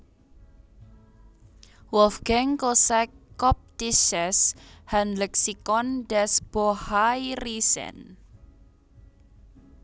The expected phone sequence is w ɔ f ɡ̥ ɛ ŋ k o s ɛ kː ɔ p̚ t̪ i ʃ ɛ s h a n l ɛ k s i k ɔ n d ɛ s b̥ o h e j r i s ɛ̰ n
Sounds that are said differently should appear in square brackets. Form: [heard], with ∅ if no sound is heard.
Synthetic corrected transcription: w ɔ f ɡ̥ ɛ ŋ k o s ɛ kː ɔ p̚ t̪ i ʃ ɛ s h a n l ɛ k s i k ɔ n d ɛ s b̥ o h [a] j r i s ɛ̰ n

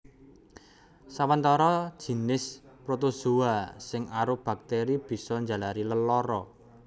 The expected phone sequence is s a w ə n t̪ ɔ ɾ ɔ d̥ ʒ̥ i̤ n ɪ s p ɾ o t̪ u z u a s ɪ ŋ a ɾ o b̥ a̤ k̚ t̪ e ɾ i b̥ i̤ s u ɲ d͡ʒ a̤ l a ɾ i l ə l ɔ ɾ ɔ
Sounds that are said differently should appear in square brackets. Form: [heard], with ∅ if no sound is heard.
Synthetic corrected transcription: s a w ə n t̪ ɔ ɾ ɔ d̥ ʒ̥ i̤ n ɪ s p ɾ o t̪ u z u a s ɪ ŋ a ɾ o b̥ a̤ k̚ t̪ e ɾ i b̥ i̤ s [ɔ] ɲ d͡ʒ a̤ l a ɾ i l ə l ɔ ɾ ɔ

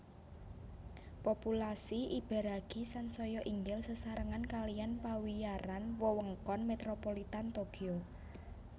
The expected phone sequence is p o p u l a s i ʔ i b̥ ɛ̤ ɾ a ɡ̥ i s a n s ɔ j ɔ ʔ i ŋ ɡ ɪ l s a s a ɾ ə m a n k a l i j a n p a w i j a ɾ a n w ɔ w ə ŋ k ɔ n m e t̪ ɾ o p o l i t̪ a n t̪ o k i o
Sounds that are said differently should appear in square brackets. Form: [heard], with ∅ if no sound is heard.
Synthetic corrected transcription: p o p u l a s i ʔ i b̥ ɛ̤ ɾ a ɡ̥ i s a n s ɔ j ɔ ʔ i ŋ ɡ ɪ l s [ə] s a ɾ ə [ŋ] a n k a l i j a n p a w i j a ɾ a n w ɔ w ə ŋ k ɔ n m e t̪ ɾ o p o l i t̪ a n t̪ o k i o

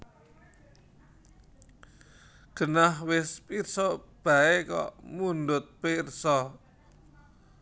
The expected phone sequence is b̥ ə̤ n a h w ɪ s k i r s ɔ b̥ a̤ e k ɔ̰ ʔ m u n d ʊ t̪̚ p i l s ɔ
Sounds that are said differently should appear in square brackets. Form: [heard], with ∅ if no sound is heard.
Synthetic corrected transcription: [ɡ̥] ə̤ n a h w ɪ s [p] i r s ɔ b̥ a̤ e k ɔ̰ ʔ m u n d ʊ t̪̚ p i [r] s ɔ

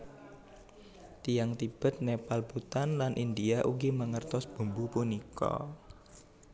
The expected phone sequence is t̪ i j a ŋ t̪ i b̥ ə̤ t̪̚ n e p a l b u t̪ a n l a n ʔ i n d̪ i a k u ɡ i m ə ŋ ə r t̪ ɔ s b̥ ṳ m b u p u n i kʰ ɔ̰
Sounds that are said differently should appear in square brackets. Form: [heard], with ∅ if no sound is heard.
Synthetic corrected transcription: t̪ i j a ŋ t̪ i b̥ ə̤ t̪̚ n e p a l b u t̪ a n l a n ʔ i n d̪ i a [ʔ] u ɡ i m ə ŋ ə r t̪ ɔ s b̥ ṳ m b u p u n i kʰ ɔ̰

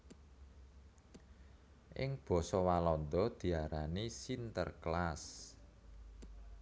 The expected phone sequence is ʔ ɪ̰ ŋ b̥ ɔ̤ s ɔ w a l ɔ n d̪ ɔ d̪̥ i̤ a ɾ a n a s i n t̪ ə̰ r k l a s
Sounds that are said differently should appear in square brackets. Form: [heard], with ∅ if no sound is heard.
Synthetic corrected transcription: ʔ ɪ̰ ŋ b̥ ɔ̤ s ɔ w a l ɔ n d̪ ɔ d̪̥ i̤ a ɾ a n [i] s i n t̪ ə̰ r k l a s

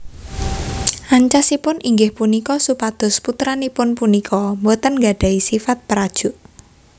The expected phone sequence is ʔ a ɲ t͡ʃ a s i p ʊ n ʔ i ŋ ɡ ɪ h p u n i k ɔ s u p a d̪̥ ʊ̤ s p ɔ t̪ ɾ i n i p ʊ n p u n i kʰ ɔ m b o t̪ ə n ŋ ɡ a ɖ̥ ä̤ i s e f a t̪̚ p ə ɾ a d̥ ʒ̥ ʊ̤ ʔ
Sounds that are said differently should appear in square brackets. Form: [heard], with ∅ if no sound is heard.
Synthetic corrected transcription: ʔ a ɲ t͡ʃ a s i p ʊ n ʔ i ŋ ɡ ɪ h p u n i k ɔ s u p a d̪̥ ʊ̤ s p [u] t̪ ɾ [a] n i p ʊ n p u n i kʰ ɔ m b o t̪ ə n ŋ ɡ a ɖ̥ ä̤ i s [i] f a t̪̚ p ə ɾ a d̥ ʒ̥ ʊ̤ ʔ

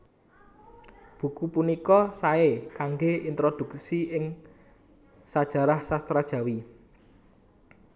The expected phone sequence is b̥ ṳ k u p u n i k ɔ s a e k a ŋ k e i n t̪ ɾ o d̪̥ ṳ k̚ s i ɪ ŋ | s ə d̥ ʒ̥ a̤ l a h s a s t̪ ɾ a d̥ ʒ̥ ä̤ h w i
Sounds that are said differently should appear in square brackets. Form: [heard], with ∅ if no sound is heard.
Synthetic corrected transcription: b̥ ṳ k u p u n i k ɔ s a e k a ŋ [ɡ] e i n t̪ ɾ o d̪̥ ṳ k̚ s i ɪ ŋ | s [a] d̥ ʒ̥ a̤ [ɾ] a h s a s t̪ ɾ a d̥ ʒ̥ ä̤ [∅] w i

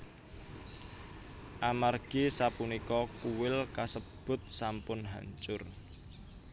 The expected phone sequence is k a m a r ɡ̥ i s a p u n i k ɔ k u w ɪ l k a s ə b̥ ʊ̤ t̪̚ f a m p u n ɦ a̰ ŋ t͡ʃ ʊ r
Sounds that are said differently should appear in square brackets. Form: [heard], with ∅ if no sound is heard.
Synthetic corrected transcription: [ʔ] a m a r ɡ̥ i s a p u n i k ɔ k u w ɪ l k a s ə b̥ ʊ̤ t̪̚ [s] a m p [ʊ] n ɦ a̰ [ɲ] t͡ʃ ʊ r

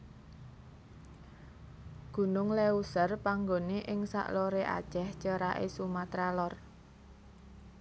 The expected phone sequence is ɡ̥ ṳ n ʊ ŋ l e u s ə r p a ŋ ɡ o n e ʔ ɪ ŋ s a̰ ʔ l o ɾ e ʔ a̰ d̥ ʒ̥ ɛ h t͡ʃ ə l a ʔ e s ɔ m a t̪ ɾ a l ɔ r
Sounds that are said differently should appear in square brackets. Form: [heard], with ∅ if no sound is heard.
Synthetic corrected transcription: ɡ̥ ṳ n ʊ ŋ l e u s ə r p a ŋ ɡ o n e ʔ ɪ ŋ s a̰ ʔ l o ɾ e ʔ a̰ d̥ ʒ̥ ɛ h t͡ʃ ə [ɾ] a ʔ e s [u] m a t̪ ɾ a l ɔ r

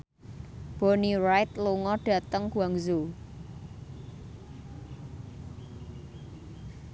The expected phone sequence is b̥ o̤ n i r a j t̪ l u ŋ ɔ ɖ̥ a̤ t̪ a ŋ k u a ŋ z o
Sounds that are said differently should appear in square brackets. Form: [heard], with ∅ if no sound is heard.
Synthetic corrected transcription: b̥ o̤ n i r a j t̪ l u ŋ ɔ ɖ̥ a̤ t̪ [ə] ŋ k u a ŋ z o

